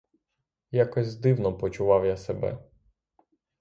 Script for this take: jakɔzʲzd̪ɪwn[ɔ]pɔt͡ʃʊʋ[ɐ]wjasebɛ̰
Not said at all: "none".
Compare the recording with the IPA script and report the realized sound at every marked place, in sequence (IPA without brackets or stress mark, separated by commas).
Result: ɔ, ɑ